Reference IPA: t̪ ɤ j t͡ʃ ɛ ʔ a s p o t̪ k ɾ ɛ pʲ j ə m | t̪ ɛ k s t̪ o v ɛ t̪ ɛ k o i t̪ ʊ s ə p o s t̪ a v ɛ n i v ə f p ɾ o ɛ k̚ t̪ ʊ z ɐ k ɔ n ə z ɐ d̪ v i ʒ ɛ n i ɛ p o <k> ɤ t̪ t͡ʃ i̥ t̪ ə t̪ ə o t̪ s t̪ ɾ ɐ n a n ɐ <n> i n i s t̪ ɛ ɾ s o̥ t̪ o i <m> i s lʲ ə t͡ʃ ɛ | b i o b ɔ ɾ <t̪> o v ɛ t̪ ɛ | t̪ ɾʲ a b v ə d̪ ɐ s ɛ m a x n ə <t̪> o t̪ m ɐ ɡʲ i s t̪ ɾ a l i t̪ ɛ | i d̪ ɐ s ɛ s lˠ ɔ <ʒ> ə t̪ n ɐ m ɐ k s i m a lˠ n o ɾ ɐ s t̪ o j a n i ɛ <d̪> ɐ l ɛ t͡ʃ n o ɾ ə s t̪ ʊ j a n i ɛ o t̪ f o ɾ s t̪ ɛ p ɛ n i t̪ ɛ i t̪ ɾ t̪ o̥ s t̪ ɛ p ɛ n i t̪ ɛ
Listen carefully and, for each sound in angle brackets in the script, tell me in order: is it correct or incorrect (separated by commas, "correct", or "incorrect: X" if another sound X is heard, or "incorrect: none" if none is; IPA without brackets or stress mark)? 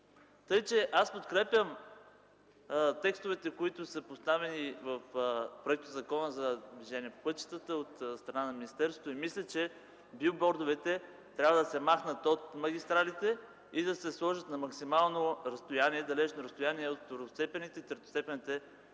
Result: incorrect: p, incorrect: m, correct, incorrect: d̪, correct, correct, correct